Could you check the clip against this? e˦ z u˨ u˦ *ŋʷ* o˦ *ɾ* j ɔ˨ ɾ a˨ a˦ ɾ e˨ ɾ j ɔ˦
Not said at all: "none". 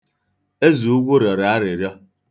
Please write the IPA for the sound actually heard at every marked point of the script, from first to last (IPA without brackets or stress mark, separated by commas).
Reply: ɡʷ, ɾ